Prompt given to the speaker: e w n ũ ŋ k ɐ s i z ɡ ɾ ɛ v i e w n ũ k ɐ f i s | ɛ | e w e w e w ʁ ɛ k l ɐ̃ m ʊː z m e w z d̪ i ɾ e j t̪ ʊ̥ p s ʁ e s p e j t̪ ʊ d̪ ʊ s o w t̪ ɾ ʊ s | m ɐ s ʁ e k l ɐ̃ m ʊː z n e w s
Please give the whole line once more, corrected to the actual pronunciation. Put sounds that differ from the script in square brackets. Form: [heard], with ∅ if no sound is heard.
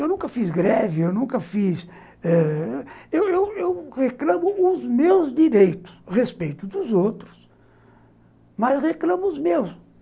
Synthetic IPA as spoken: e w n ũ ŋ k ɐ [f] i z ɡ ɾ ɛ v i e w n ũ k ɐ f i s | ɛ | e w e w e w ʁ [e] k l ɐ̃ m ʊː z m e w z d̪ i ɾ e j t̪ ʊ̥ [∅] s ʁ e s p e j t̪ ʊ d̪ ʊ [z] o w t̪ ɾ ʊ s | m ɐ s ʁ e k l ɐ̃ m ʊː z [m] e w s